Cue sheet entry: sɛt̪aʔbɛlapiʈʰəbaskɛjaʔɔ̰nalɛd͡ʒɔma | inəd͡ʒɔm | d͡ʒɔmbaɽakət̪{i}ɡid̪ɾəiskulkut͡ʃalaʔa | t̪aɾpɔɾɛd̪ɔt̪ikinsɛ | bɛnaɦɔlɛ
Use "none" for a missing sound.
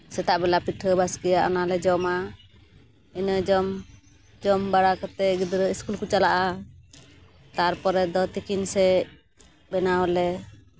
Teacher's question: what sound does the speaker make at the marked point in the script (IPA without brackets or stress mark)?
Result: ɛ